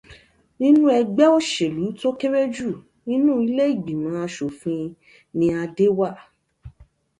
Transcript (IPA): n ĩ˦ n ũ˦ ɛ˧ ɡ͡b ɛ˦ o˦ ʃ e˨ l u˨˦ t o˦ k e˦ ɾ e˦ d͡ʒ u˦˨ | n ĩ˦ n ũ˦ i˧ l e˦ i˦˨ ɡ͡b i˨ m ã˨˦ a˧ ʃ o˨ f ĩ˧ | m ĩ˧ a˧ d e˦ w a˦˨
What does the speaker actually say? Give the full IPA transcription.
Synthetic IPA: n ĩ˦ n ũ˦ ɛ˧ ɡ͡b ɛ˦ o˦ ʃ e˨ l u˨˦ t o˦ k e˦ ɾ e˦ d͡ʒ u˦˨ | n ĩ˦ n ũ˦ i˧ l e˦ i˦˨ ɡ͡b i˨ m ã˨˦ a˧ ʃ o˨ f ĩ˧ | n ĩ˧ a˧ d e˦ w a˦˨